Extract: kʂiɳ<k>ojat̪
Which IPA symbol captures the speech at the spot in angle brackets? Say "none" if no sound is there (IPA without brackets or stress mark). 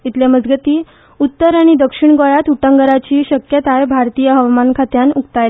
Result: ɡ